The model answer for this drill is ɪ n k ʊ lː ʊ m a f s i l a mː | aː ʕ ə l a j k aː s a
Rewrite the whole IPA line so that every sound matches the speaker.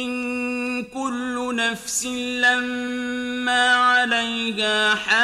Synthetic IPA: ɪ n k ʊ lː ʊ n a f s ɪ l a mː | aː ʕ a l a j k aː ħ a